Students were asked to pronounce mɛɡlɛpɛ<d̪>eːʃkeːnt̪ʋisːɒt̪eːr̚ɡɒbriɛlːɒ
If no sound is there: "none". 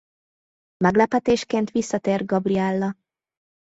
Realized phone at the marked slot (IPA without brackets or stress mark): t̪